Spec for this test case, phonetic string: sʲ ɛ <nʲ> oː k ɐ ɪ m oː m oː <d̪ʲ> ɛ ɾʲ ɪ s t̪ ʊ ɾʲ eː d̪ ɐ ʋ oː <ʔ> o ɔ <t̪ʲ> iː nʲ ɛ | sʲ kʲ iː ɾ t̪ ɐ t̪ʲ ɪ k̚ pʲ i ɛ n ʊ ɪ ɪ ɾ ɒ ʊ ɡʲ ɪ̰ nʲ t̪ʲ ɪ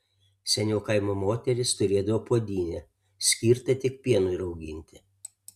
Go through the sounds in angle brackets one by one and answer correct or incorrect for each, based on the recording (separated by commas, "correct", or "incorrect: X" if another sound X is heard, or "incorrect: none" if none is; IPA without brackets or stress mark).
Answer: correct, incorrect: t̪ʲ, incorrect: p, incorrect: d̪ʲ